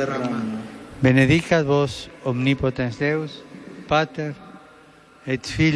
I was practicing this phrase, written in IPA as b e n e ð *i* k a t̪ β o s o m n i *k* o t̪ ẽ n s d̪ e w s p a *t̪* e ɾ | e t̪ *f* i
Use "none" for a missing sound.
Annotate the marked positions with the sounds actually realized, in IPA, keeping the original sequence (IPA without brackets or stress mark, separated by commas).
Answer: i, p, t̪, f